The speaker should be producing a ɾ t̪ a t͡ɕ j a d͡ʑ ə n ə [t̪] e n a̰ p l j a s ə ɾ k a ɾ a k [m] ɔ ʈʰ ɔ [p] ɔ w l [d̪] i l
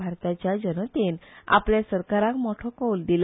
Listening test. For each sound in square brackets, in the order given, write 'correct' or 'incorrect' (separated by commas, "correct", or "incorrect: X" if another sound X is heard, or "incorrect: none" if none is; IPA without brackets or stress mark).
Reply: correct, correct, incorrect: k, correct